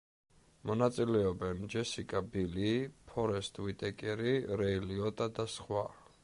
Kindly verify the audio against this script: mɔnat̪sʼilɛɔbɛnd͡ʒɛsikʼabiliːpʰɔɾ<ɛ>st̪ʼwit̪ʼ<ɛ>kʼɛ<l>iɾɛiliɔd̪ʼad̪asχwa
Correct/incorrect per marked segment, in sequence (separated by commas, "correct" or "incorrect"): correct, correct, incorrect